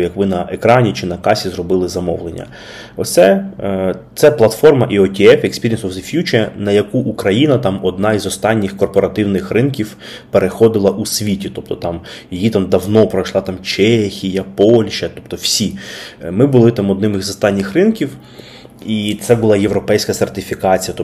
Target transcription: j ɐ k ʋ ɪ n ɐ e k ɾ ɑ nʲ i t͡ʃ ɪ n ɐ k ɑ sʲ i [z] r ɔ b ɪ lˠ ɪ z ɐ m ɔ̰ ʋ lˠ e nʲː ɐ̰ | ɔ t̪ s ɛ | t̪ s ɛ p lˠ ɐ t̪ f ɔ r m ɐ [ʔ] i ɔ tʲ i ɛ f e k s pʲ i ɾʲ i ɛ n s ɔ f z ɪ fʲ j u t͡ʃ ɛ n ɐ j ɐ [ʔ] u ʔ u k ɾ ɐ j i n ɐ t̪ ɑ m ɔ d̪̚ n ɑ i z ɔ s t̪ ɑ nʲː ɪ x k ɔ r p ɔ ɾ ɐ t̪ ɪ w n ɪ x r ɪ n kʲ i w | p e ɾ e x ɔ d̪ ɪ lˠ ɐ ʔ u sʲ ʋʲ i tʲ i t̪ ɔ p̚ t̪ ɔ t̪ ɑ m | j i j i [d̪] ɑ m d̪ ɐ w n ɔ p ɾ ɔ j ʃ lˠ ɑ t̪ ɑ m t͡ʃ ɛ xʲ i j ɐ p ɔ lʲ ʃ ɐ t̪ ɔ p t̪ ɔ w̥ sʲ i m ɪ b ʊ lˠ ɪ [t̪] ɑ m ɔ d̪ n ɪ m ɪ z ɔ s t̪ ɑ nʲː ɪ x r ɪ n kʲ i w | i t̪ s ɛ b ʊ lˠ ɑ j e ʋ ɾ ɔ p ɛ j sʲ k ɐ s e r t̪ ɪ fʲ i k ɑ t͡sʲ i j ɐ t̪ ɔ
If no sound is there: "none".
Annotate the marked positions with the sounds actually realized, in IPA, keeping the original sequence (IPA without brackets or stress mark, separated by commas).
z, ʔ, k, t̪, t̪